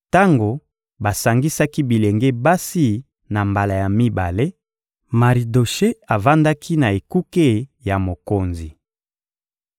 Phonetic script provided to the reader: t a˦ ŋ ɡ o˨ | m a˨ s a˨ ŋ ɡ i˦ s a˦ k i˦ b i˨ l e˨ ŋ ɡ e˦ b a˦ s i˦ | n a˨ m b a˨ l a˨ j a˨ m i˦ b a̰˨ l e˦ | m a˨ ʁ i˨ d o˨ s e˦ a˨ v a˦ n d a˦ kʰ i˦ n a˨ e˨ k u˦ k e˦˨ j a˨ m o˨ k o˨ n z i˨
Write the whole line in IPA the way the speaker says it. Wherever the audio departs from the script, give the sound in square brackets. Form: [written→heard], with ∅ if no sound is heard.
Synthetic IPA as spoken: t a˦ ŋ ɡ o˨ | [m→b] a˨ s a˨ ŋ ɡ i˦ s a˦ k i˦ b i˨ l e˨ ŋ ɡ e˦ b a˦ s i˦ | n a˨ m b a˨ l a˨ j a˨ m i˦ b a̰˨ l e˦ | m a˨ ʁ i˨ d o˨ [s→ʃ] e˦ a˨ v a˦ n d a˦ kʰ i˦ n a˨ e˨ k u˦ k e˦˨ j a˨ m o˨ k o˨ n z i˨